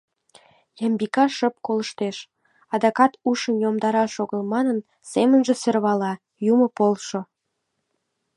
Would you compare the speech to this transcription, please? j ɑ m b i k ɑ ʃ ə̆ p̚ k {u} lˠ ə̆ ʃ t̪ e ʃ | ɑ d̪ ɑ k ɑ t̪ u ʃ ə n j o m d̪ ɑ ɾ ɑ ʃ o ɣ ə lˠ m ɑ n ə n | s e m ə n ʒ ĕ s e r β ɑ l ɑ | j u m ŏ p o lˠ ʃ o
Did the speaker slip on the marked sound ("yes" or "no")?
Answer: yes